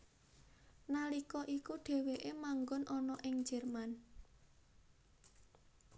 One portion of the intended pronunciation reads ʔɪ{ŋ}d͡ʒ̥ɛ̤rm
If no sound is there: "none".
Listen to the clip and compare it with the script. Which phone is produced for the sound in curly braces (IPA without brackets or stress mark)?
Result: ŋ